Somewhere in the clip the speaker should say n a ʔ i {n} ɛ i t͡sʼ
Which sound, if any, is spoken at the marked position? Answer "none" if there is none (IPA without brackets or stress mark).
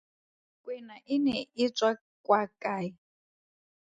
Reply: n